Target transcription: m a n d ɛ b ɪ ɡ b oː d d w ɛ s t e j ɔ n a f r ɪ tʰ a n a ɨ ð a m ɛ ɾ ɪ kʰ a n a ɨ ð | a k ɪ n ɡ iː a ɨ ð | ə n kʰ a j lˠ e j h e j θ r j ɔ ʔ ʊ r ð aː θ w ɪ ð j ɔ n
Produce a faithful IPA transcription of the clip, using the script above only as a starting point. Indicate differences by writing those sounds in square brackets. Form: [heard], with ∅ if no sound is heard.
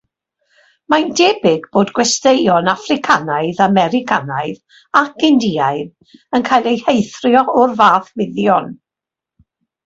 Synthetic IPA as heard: m a n d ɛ b ɪ ɡ b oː d [ɡ] w ɛ s t e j ɔ n a f r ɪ [kʰ] a n a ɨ ð a m ɛ ɾ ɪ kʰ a n a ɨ ð | a k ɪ n [d] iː a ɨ ð | ə n kʰ a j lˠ e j h e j θ r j ɔ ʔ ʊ r [v] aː θ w ɪ ð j ɔ n